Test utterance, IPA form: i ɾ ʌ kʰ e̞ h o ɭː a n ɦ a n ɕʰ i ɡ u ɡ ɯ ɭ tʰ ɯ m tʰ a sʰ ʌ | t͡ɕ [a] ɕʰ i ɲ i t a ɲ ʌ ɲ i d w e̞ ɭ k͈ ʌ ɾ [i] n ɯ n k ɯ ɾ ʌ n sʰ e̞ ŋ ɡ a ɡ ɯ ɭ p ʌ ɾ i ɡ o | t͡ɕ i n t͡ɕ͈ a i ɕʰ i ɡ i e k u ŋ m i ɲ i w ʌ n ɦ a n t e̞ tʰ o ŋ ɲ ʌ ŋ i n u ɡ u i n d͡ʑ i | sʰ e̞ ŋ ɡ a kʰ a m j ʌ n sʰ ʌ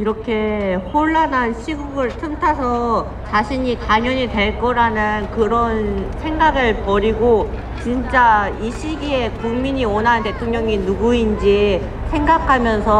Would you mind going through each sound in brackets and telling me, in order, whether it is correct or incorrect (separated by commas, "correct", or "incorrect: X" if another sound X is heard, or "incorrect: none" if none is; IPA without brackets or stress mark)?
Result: correct, incorrect: a